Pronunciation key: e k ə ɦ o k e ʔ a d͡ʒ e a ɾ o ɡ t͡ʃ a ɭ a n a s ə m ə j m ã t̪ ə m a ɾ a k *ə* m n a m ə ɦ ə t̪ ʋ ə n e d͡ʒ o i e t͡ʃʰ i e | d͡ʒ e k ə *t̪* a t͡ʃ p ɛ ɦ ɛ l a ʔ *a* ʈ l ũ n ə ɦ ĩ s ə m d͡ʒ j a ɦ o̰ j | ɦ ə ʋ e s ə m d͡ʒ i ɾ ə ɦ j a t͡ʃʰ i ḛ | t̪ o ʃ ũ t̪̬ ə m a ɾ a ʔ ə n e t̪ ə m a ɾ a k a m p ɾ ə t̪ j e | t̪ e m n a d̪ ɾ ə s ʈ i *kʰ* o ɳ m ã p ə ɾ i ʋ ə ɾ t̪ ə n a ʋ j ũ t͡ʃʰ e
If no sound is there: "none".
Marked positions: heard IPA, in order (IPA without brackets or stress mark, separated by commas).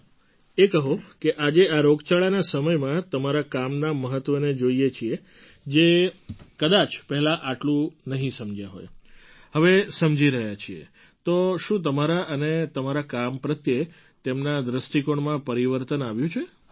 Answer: a, d̪, a, k